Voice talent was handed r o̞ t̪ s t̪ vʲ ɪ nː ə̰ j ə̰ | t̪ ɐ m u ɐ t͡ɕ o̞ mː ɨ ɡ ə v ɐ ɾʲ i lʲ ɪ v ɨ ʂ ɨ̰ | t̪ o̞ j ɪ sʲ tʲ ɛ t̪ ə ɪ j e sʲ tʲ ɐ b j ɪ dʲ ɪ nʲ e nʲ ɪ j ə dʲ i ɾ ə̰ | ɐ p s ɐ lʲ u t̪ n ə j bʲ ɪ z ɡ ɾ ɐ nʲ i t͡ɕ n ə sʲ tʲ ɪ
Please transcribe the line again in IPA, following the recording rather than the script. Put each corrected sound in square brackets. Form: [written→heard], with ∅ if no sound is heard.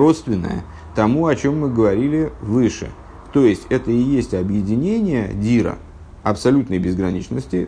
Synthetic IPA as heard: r o̞ t̪ s t̪ vʲ ɪ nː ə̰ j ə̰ | t̪ ɐ m u ɐ t͡ɕ o̞ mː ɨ ɡ ə v ɐ ɾʲ i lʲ ɪ v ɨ ʂ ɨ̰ | t̪ o̞ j ɪ sʲ tʲ ɛ t̪ ə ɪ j e sʲ tʲ ɐ b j ɪ dʲ ɪ nʲ e nʲ ɪ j ə dʲ i ɾ ə̰ | ɐ p s ɐ lʲ u t̪ n ə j bʲ ɪ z ɡ ɾ ɐ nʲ i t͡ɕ n ə sʲ tʲ ɪ